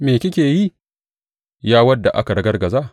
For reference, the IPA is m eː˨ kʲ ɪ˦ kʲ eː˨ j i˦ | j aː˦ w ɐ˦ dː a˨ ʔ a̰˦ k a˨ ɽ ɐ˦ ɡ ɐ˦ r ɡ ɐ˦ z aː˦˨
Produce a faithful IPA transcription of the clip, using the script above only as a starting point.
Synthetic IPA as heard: m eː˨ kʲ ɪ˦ kʲ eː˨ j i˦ | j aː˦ w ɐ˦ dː a˨ ʔ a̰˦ k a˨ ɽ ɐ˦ ɡ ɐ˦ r ɡ ɐ˨ z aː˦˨